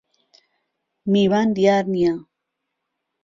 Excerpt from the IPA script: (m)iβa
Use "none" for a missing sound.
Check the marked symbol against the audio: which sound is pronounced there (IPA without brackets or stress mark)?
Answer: m